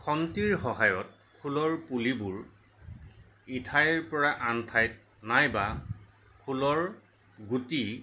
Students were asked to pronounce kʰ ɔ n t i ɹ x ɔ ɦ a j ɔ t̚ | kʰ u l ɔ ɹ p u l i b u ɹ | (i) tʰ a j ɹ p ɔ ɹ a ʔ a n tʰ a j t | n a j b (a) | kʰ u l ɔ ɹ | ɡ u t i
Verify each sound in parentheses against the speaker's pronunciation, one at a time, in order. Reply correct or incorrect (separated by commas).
correct, correct